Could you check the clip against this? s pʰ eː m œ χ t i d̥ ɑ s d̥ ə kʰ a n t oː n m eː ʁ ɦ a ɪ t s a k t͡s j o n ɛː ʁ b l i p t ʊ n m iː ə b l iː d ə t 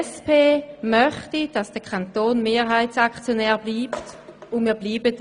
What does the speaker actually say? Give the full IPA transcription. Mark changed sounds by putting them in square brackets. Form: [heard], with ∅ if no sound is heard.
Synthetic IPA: s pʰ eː m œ χ t i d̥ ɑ s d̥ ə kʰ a n t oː n m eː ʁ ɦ a ɪ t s a k t͡s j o n ɛː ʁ b l [iː] p t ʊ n m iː [ɐ] b l iː [b] ə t